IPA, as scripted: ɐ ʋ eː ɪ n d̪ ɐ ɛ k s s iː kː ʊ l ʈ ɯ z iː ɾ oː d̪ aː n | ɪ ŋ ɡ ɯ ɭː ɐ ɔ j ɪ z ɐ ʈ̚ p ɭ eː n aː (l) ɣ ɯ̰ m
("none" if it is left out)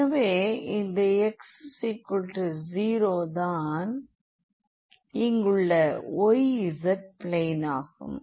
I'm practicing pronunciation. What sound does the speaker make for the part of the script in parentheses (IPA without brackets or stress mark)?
none